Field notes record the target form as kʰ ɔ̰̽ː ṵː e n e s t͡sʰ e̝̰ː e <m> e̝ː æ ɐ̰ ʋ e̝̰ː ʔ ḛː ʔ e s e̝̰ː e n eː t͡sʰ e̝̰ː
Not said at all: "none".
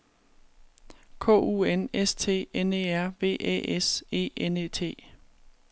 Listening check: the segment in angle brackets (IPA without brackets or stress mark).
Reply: n